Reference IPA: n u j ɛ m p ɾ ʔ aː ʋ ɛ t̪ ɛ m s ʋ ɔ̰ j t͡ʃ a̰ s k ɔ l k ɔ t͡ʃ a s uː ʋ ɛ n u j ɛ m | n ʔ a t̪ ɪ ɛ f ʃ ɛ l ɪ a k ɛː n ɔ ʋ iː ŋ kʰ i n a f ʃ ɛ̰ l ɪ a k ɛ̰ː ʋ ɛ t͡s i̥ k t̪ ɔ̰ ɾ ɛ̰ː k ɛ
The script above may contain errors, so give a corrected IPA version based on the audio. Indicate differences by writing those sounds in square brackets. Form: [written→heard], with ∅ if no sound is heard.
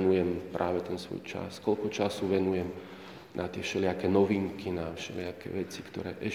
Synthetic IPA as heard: n u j ɛ m p ɾ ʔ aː ʋ ɛ t̪ ɛ [m→n] s ʋ ɔ̰ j t͡ʃ a̰ s k ɔ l k ɔ t͡ʃ a s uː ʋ ɛ n u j ɛ m | n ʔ a t̪ ɪ ɛ f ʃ ɛ l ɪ a k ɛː n ɔ ʋ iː ŋ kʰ i n a f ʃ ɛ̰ l ɪ a k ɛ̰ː ʋ ɛ t͡s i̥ k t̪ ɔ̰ ɾ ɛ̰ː [k→ʔ] ɛ